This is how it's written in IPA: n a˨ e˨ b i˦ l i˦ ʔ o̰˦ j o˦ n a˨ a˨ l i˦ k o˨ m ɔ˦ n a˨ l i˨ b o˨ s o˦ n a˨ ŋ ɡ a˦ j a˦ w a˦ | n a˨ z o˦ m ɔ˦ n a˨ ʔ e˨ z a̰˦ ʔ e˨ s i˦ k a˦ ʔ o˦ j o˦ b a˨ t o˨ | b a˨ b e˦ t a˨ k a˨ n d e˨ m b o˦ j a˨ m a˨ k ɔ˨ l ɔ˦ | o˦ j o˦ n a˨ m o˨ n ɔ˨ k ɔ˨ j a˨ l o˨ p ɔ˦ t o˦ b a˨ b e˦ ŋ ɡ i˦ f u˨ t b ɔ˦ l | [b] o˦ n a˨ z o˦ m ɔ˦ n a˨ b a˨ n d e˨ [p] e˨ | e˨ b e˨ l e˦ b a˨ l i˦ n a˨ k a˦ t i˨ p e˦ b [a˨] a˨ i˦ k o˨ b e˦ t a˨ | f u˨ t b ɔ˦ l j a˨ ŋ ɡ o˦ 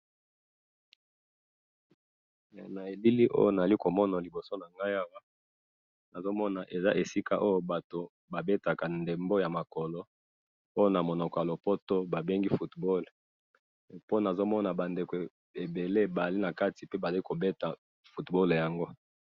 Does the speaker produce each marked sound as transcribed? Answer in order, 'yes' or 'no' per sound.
no, no, yes

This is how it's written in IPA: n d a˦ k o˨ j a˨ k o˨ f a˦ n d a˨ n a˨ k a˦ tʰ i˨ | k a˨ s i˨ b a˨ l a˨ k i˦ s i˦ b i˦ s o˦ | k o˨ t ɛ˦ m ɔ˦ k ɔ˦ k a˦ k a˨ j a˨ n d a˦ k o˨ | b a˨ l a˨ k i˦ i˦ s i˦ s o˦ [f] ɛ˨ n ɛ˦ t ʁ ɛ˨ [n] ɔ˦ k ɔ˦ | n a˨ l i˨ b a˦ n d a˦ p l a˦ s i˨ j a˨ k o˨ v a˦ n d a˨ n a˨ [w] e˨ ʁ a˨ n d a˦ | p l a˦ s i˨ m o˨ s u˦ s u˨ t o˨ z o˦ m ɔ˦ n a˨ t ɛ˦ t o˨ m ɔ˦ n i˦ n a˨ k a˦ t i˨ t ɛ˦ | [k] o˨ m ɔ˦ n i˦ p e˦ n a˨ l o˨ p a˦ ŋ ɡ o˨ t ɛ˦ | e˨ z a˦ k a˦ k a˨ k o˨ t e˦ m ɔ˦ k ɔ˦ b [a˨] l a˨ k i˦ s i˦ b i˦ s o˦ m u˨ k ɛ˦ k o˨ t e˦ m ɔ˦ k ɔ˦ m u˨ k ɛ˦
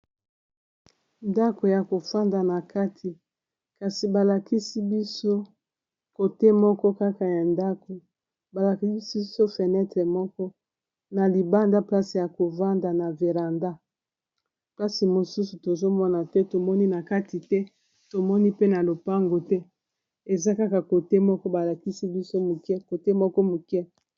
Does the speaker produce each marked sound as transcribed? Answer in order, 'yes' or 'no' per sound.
yes, no, no, no, yes

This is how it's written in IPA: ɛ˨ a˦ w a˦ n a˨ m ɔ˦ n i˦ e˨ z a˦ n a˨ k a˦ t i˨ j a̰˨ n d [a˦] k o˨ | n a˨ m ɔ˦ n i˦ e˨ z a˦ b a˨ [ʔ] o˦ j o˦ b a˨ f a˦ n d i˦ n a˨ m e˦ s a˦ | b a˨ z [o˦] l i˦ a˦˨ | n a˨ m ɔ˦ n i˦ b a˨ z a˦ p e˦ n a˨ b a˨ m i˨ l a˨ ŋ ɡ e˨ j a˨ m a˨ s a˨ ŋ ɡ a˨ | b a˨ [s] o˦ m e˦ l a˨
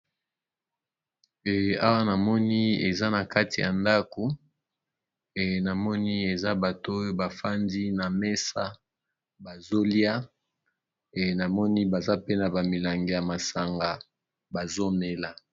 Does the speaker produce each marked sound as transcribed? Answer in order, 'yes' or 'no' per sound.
yes, no, yes, no

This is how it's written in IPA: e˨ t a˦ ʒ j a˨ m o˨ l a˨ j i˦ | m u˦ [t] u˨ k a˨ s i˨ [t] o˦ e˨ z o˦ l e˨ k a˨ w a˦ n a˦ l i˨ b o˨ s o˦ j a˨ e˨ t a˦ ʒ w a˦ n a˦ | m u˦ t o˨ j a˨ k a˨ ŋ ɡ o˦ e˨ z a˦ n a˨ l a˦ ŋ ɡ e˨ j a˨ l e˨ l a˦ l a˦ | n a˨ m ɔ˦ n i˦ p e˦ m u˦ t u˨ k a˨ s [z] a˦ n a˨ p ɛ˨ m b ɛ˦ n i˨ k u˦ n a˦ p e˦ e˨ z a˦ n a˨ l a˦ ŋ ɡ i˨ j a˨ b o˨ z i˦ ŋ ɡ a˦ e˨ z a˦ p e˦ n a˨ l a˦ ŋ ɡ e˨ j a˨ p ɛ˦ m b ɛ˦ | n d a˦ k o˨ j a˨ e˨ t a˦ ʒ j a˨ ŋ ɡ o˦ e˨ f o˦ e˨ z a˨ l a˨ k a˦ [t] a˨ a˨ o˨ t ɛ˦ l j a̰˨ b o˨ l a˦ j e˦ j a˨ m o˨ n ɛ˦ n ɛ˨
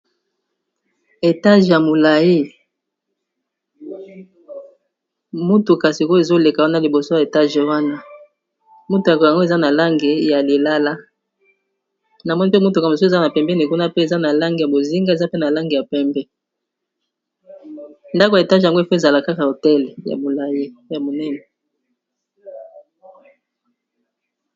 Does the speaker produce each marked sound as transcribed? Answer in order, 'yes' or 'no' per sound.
yes, no, yes, no

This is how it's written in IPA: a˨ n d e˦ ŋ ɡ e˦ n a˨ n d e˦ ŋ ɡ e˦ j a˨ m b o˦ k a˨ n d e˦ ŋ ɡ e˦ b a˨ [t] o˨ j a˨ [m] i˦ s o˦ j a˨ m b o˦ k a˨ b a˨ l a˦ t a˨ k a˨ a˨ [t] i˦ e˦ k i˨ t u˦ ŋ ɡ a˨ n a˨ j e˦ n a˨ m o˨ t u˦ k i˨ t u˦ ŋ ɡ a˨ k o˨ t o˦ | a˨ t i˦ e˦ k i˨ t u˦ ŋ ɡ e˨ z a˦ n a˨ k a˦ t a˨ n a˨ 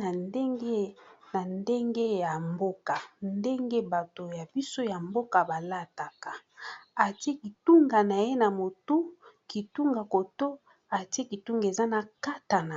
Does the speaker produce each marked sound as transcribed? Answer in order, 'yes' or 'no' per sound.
yes, no, yes

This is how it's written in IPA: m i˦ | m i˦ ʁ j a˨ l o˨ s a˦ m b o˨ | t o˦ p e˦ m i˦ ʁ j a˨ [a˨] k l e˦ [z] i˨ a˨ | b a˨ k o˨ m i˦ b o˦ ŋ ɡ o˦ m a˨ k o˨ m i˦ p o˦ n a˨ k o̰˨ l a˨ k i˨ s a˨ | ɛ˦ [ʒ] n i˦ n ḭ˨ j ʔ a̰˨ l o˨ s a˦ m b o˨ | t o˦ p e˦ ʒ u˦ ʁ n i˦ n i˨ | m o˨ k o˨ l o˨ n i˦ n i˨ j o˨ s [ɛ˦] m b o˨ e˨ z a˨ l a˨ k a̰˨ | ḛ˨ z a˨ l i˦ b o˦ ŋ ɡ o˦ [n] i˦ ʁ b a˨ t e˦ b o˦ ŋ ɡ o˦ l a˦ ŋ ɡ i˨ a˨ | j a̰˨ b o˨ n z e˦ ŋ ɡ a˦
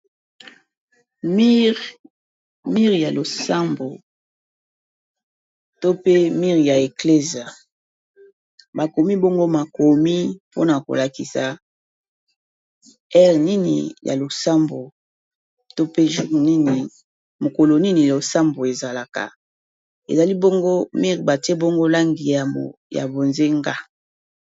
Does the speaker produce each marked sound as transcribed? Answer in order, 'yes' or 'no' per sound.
no, yes, no, no, no

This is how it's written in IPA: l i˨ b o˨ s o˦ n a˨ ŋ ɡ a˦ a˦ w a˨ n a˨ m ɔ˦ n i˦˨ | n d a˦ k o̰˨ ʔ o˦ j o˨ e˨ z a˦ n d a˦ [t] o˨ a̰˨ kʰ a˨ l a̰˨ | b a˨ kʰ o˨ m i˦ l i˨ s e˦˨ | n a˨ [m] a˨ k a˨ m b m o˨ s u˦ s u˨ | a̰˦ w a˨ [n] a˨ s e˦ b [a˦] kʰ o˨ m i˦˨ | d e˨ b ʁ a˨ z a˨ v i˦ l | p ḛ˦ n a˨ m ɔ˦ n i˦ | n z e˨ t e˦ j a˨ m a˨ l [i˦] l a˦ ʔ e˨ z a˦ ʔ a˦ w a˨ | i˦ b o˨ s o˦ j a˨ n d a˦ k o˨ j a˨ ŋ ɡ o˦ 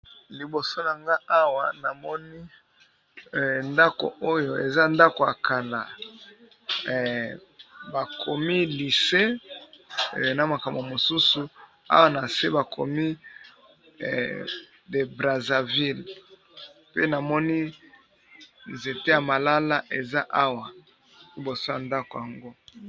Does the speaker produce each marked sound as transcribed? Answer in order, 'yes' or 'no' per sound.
no, yes, yes, no, no

